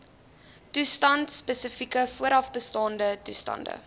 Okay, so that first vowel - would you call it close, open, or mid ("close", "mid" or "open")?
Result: close